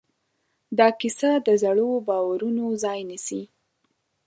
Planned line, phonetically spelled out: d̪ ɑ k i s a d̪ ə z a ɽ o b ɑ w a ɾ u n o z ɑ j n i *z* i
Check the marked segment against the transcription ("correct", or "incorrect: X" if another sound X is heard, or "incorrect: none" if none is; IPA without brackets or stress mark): incorrect: s